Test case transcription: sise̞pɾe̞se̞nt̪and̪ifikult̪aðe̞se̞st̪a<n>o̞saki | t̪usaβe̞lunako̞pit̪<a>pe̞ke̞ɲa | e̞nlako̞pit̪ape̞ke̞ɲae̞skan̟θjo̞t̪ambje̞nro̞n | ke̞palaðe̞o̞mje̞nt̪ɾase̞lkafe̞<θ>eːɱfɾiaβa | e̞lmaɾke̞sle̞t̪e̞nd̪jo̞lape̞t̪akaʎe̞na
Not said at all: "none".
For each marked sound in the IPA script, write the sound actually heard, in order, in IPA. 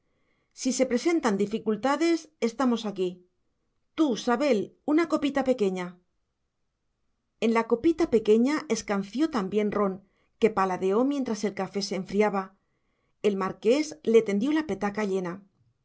m, a, s

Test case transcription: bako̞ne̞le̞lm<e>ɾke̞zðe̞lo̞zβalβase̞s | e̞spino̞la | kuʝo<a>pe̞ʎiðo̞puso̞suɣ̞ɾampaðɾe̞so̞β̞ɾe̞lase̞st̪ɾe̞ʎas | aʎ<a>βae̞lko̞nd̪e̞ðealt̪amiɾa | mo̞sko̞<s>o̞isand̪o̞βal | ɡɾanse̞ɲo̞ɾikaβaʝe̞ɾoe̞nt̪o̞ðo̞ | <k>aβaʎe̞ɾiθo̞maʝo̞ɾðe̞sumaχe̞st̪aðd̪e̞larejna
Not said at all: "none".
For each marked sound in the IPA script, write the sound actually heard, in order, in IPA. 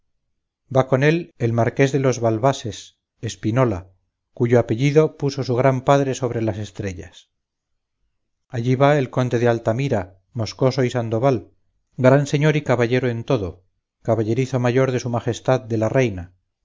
a, a, i, s, k

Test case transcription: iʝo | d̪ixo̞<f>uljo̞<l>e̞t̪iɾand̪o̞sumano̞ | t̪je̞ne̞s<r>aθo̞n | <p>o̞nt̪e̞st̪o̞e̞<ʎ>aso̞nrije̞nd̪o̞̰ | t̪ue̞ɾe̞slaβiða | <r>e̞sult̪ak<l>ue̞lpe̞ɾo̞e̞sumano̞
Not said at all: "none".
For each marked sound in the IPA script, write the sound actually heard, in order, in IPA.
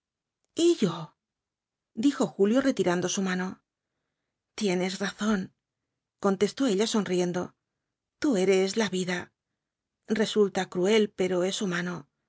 x, r, r, k, ʎ, r, ɾ

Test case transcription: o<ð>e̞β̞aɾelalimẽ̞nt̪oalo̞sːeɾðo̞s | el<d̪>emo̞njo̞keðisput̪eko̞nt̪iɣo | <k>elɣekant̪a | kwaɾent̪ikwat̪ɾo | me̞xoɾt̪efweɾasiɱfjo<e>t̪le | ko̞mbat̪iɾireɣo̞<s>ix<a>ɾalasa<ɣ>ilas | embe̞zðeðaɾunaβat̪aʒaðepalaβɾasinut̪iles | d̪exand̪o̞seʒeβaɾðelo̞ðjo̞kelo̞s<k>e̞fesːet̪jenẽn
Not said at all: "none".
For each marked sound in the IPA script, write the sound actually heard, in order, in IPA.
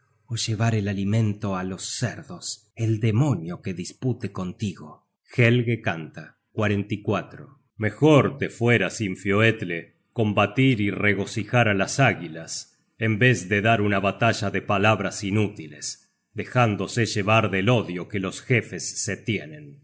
ʒ, d̪, x, e, s, a, ɣ, x

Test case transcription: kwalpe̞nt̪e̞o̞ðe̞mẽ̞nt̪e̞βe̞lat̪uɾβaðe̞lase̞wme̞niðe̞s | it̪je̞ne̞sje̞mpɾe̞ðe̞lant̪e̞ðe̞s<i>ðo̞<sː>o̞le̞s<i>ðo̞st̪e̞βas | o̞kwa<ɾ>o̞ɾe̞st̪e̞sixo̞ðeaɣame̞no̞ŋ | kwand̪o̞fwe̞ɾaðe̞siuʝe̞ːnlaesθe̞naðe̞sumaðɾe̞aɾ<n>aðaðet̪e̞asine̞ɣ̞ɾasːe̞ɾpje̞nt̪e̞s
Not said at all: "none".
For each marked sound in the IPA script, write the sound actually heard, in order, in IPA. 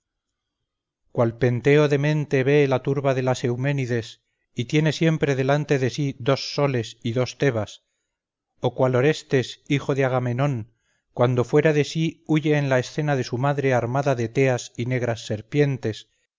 i, sː, i, l, m

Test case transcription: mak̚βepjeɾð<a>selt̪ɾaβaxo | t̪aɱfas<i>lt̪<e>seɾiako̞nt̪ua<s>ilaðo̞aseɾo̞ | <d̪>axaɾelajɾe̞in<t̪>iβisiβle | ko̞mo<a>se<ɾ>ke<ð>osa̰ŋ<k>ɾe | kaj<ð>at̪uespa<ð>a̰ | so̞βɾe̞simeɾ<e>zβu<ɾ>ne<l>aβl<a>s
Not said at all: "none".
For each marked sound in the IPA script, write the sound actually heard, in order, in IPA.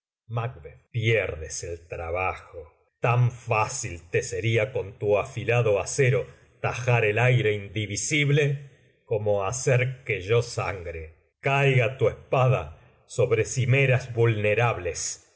e, i, e, f, t̪, d̪, a, ɾ, ʒ, ɡ, ɣ, ð, a, l, ɾ, e

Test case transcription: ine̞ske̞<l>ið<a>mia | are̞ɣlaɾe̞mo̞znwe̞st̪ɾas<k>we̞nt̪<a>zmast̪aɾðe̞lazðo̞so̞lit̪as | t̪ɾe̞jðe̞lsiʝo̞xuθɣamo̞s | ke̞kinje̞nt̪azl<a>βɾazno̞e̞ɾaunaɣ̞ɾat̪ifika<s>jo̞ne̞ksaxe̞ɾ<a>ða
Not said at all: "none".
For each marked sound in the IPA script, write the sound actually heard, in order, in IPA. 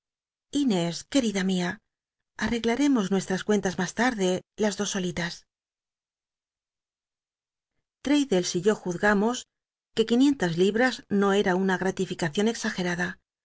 ɾ, a, k, a, i, θ, a

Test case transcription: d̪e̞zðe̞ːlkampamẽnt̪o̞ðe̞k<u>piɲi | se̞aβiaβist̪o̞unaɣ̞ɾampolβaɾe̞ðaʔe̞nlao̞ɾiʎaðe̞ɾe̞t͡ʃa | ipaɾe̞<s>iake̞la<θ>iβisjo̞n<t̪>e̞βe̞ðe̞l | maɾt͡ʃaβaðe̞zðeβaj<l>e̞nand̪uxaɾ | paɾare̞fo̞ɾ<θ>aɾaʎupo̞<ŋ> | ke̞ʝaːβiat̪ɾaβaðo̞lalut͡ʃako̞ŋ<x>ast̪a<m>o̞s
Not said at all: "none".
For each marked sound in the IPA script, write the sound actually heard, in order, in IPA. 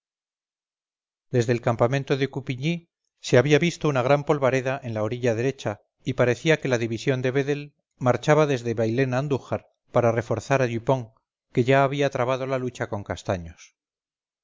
u, θ, ð, d̪, l, θ, ŋ, k, ɲ

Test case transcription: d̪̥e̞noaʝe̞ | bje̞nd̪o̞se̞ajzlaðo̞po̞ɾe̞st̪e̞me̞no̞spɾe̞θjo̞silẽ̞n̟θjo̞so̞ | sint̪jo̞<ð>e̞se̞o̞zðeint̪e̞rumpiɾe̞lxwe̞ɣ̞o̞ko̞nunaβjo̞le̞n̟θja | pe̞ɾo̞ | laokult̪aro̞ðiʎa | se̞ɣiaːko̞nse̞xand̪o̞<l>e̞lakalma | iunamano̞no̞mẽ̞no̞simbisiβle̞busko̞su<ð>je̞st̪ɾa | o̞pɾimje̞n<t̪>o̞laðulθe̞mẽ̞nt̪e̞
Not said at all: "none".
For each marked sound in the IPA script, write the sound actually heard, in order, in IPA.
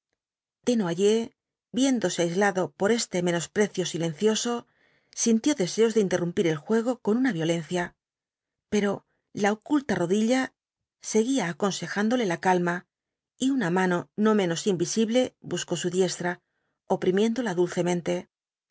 ð, l, ð, d̪

